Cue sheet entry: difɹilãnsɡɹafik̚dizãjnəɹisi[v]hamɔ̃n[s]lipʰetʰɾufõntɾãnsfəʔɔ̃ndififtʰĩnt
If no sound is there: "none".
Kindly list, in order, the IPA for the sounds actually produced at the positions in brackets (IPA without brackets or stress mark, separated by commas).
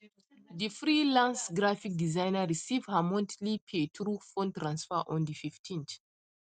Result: v, t